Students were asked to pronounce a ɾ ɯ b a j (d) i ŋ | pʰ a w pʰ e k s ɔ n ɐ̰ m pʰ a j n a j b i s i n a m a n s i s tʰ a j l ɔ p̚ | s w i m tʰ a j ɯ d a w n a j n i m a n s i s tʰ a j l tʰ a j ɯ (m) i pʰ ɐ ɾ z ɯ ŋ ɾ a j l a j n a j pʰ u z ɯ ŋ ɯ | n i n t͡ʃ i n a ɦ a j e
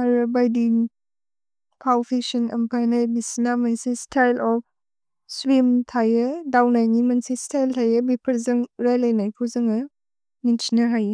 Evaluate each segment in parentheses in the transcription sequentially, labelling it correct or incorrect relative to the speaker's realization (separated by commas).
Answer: correct, incorrect